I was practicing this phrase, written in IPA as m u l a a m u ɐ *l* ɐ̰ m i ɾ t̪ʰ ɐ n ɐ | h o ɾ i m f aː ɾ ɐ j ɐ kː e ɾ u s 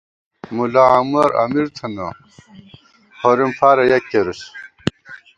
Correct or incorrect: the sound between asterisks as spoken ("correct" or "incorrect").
incorrect